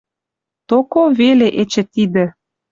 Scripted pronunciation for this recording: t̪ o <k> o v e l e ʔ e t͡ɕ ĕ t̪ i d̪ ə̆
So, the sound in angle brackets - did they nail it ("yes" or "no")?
yes